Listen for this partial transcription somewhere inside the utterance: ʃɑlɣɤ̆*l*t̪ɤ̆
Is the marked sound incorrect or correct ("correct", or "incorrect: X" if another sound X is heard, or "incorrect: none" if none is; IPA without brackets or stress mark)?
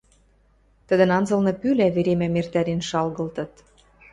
correct